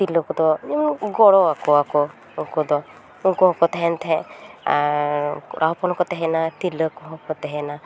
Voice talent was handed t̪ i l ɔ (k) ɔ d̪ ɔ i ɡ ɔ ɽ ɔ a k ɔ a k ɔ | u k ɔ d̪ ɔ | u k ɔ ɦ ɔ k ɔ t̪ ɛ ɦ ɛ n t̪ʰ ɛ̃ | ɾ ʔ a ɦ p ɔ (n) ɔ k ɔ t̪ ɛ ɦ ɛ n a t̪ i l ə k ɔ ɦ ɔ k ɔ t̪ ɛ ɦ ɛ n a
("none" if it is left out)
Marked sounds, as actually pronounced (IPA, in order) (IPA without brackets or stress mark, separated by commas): k, n